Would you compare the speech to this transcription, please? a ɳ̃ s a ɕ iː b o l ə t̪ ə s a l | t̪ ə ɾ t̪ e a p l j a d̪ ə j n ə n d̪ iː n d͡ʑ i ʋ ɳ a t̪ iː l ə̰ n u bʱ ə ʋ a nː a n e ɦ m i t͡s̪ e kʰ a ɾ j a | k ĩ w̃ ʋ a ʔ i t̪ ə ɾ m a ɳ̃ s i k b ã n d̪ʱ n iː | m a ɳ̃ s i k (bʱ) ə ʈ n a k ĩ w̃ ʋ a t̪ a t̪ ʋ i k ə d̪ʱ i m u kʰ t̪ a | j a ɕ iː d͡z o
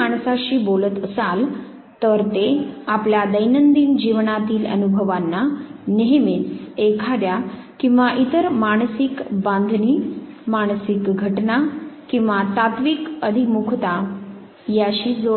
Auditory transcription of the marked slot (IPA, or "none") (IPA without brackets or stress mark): ɡʱ